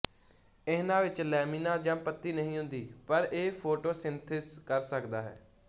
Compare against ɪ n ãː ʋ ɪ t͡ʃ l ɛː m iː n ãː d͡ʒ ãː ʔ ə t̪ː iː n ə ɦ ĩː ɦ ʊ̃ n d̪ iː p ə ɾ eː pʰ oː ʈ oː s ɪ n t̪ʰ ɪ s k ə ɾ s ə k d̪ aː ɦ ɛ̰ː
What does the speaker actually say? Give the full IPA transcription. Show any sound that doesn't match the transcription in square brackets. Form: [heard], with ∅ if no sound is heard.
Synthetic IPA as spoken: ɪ n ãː ʋ ɪ t͡ʃ l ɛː m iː n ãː d͡ʒ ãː [p] ə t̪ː iː n ə ɦ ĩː ɦ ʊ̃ n d̪ iː p ə ɾ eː pʰ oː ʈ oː s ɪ n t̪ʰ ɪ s k ə ɾ s ə k d̪ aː ɦ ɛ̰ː